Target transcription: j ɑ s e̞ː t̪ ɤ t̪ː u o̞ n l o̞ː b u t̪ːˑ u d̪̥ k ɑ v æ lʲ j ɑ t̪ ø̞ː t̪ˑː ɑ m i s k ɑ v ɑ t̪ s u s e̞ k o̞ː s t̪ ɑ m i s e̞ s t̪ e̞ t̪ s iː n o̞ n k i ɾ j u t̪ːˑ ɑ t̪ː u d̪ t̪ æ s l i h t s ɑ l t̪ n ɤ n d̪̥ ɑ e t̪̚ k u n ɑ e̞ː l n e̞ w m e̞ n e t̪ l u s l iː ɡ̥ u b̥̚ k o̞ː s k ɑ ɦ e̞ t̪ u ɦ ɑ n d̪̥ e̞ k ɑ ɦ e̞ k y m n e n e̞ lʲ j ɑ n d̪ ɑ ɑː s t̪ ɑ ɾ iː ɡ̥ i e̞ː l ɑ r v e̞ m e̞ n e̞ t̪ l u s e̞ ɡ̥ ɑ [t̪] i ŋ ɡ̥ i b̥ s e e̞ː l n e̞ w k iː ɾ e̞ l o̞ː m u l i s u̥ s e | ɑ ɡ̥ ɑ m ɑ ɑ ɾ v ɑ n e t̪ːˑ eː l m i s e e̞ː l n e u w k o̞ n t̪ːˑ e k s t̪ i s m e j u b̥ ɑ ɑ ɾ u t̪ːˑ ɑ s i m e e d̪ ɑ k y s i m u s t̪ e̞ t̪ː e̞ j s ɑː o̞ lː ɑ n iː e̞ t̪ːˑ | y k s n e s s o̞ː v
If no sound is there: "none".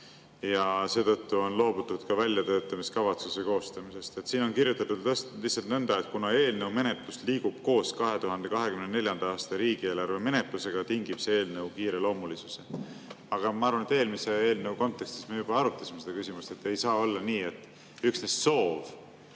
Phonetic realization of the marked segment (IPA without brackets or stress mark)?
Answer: t̪